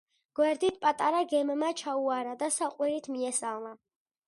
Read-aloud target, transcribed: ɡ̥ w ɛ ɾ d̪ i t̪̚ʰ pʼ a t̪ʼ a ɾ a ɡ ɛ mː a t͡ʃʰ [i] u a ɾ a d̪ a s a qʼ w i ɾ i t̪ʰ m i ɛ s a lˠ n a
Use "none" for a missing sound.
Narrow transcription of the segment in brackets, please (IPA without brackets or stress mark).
a